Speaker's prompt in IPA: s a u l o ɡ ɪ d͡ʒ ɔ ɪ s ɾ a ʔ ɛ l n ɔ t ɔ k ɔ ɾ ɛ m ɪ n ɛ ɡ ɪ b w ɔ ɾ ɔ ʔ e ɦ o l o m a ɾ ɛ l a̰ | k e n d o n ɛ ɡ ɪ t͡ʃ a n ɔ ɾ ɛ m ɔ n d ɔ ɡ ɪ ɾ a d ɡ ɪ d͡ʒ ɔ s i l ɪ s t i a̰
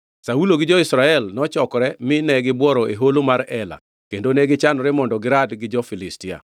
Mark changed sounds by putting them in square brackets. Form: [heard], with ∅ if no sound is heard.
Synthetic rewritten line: s a u l o ɡ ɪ d͡ʒ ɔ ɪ s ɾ a [∅] ɛ l n ɔ [t͡ʃ] ɔ k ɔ ɾ ɛ m ɪ n ɛ ɡ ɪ b w ɔ ɾ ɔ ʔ e ɦ o l o m a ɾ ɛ l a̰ | k e n d o n ɛ ɡ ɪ t͡ʃ a n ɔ ɾ ɛ m ɔ n d ɔ ɡ ɪ ɾ a d ɡ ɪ d͡ʒ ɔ [f] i l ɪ s t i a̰